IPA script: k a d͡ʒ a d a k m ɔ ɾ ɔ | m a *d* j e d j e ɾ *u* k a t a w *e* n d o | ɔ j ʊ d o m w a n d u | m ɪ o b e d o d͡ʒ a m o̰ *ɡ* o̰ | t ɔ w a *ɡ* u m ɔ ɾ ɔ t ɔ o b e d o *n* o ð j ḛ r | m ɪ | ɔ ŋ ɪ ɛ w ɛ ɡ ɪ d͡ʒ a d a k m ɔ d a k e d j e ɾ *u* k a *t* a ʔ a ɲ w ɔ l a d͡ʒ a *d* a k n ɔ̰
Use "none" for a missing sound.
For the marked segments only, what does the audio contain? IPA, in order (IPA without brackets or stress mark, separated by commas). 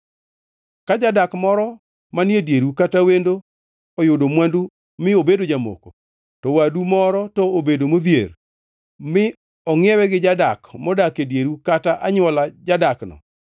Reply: n, u, e, k, d, m, u, t, d